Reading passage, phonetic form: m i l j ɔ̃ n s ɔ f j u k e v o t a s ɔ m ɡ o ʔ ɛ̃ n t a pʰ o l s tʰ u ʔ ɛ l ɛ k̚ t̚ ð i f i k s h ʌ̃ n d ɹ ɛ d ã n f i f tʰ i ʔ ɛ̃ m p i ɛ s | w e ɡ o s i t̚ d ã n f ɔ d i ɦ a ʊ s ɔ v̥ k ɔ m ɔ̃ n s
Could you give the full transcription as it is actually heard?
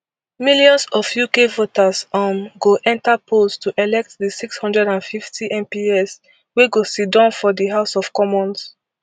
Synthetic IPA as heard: m i l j ɔ̃ n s ɔ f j u k e v o t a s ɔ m ɡ o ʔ ɛ̃ n t a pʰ o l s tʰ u ʔ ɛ l ɛ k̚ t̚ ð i s i k s h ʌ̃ n d ɹ ɛ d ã n f i f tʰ i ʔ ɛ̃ m p i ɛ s | w e ɡ o s i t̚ d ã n f ɔ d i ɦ a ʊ s ɔ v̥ k ɔ m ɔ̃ n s